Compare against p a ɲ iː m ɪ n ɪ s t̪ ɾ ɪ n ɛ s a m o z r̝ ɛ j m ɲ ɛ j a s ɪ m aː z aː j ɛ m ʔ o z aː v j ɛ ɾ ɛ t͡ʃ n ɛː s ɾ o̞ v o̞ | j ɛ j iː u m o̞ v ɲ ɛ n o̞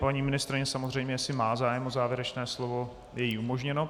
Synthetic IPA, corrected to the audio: p a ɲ iː m ɪ n ɪ s t̪ ɾ ɪ ɲ ɛ s a m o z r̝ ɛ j m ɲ ɛ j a s ɪ m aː z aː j ɛ m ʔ o z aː v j ɛ ɾ ɛ t͡ʃ n ɛː s l o̞ v o̞ | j ɛ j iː u m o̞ ʒ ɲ ɛ n o̞